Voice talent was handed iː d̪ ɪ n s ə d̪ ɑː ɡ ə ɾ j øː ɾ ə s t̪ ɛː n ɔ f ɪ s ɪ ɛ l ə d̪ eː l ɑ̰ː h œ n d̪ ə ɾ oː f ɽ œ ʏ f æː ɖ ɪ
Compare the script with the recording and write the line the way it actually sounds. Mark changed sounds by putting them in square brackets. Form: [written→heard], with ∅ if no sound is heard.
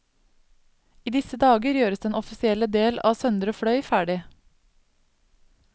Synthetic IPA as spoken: iː d̪ ɪ [n→∅] s ə d̪ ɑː ɡ ə ɾ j øː ɾ ə s [t̪→d̪] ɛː n ɔ f ɪ s ɪ ɛ l ə d̪ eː l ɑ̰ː [h→s] œ n d̪ ə ɾ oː f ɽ œ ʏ f æː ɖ ɪ